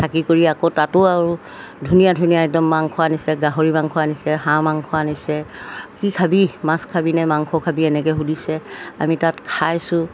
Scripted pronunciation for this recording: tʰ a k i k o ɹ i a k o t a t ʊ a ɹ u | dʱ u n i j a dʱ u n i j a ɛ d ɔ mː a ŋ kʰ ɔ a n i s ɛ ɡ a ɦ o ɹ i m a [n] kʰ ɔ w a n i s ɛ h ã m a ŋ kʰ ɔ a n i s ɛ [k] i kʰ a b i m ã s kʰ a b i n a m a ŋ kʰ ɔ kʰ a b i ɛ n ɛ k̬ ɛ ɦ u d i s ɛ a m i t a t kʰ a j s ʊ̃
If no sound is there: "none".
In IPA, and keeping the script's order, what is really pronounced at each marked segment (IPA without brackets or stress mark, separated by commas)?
ŋ, k